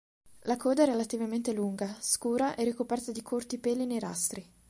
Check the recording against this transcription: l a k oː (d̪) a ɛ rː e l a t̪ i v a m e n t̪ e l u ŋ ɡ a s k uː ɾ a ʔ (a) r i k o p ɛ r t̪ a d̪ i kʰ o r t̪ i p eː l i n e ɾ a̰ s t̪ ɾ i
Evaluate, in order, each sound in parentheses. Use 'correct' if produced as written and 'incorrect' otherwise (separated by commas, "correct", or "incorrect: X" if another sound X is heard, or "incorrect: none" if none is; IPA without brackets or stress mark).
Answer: correct, incorrect: ɛ